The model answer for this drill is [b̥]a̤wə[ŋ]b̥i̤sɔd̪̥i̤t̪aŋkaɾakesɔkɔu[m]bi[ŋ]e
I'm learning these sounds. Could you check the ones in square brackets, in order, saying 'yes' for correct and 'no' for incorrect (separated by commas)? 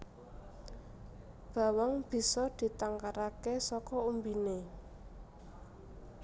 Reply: yes, yes, yes, no